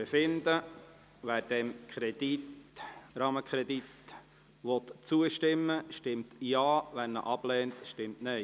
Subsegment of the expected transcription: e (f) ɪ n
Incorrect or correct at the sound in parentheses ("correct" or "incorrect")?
correct